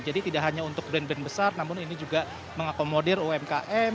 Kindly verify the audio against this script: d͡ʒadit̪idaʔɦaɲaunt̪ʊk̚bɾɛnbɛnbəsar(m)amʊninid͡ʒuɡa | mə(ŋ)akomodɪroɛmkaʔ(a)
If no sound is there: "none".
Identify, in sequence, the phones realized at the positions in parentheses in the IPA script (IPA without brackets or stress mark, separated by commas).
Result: n, ŋ, ɛ